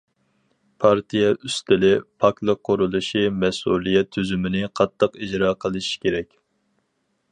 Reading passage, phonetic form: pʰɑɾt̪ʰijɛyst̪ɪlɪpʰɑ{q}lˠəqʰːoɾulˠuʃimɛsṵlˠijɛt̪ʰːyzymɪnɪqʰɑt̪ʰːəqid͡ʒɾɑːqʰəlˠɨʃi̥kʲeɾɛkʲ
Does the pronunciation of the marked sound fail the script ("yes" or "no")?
yes